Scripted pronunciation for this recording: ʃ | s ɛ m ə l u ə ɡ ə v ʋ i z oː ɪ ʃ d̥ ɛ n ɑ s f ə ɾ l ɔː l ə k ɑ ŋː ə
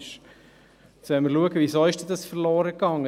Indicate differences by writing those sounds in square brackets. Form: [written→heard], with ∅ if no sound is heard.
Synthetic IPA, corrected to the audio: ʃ | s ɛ m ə l u ə ɡ ə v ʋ i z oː ɪ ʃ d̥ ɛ [n→d] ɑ s f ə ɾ l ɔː [l→ɾ] ə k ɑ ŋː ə